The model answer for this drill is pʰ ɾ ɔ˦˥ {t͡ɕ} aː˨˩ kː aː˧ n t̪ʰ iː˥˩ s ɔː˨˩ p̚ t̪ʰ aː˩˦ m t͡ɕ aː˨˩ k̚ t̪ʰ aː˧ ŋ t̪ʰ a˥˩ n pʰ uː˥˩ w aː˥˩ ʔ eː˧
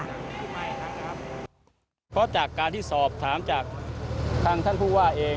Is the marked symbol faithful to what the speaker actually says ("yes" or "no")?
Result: yes